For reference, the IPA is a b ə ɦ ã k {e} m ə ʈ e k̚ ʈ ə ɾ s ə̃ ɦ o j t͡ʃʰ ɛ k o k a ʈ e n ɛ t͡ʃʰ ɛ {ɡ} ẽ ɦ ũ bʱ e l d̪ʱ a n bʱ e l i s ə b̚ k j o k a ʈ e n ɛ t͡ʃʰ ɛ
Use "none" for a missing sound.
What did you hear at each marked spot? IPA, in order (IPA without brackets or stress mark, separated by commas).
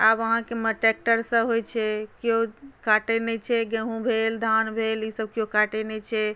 e, ɡ